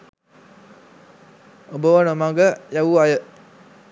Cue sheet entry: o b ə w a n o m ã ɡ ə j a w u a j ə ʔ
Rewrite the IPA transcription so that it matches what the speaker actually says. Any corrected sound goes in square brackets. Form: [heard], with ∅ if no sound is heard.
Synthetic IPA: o b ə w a n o m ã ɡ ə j a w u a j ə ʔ